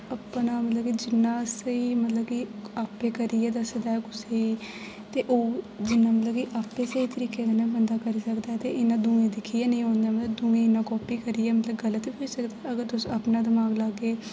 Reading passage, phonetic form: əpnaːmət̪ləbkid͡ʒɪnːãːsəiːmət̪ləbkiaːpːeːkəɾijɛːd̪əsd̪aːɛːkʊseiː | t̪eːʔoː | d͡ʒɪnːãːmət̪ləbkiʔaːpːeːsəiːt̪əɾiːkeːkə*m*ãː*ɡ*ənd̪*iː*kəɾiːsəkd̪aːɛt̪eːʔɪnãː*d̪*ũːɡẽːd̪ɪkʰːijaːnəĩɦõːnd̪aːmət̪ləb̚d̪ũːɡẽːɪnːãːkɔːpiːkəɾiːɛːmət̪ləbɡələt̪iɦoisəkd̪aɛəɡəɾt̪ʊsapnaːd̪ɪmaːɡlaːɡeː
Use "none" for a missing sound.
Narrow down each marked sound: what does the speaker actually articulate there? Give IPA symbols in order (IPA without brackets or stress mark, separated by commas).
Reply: n, b, aː, d̪